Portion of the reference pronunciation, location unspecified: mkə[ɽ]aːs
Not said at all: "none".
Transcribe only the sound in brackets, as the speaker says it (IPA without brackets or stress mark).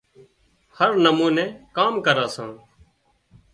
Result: ɾ